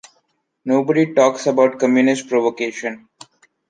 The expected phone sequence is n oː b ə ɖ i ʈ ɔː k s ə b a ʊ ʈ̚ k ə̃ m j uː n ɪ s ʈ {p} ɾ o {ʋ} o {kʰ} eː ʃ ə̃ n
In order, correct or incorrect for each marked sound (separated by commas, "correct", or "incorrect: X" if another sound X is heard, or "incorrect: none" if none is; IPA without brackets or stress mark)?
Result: correct, correct, incorrect: k